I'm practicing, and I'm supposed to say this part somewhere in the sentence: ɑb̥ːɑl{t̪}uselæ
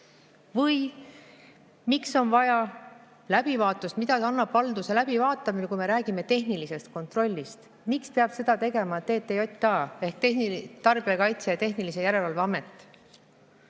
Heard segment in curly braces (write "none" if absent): d̪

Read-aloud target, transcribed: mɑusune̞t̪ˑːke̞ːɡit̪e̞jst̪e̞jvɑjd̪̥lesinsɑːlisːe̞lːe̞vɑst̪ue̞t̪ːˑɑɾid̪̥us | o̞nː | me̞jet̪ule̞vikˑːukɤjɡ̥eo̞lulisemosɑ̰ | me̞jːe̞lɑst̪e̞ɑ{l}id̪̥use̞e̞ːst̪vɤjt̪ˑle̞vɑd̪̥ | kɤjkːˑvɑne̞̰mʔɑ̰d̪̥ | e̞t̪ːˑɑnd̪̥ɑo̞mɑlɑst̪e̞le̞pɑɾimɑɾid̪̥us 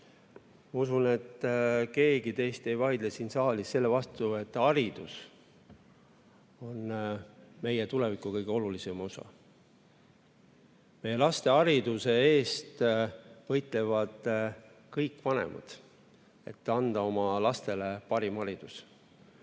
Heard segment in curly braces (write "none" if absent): ɾ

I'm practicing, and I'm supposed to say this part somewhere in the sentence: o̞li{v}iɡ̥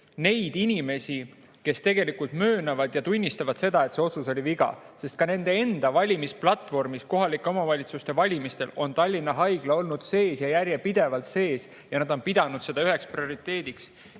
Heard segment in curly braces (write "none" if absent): v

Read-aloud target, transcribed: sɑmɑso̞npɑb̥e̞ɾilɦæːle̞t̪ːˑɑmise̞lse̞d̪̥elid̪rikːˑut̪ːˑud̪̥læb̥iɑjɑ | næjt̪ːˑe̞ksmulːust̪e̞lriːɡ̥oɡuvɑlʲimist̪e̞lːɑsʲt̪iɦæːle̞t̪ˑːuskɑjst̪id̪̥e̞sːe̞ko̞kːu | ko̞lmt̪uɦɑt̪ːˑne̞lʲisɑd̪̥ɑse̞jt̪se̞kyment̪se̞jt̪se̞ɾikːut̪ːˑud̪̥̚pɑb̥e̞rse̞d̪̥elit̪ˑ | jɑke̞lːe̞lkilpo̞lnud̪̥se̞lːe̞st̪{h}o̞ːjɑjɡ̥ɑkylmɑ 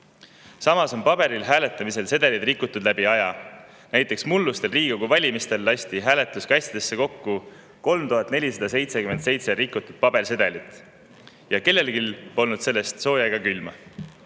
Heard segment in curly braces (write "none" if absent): s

